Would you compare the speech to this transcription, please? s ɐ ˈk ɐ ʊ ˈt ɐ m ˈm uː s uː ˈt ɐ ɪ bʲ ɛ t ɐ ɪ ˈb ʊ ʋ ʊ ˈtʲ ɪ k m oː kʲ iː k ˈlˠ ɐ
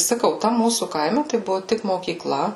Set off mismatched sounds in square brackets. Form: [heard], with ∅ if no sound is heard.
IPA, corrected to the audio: s ɐ ˈk ɐ ʊ ˈt ɐ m ˈm uː s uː [ˈk] ɐ ɪ [mʲ] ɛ t ɐ ɪ ˈb ʊ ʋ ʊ ˈtʲ ɪ k m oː kʲ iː k ˈlˠ ɐ